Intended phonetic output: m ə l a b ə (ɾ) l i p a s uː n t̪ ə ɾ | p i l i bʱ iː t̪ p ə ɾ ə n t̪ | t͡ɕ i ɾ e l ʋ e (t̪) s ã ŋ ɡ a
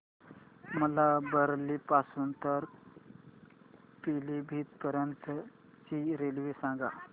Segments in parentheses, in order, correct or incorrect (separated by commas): correct, incorrect